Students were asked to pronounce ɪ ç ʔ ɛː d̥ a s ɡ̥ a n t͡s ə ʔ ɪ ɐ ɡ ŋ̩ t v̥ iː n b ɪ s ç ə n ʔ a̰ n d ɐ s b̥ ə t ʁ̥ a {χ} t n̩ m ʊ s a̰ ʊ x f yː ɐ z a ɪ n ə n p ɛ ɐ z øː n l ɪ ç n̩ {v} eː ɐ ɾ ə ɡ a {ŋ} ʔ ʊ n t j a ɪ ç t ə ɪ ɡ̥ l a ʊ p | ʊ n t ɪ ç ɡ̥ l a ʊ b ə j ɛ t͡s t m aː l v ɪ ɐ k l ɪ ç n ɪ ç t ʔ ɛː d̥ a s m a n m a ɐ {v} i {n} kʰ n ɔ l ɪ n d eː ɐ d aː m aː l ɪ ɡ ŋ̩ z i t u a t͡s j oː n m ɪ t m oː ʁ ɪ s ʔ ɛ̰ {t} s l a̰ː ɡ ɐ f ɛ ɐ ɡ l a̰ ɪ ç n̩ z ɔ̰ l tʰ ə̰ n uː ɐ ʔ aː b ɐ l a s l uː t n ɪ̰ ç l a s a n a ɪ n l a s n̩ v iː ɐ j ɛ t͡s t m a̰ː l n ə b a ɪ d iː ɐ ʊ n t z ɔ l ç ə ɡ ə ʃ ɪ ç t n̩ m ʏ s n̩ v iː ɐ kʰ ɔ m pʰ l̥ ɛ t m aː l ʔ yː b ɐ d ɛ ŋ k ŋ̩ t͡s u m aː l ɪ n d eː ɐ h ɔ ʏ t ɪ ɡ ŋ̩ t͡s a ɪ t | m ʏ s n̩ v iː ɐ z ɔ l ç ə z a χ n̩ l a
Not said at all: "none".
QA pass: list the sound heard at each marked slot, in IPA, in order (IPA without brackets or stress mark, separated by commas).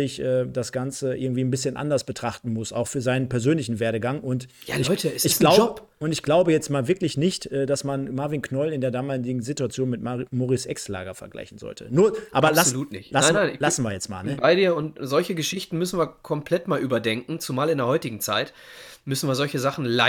χ, v, ŋ, v, n, k